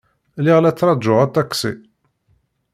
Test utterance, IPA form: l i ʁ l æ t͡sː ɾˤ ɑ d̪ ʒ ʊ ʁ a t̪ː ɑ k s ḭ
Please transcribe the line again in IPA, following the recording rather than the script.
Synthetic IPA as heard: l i ʁ l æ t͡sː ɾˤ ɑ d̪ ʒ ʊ ʁ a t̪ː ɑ k s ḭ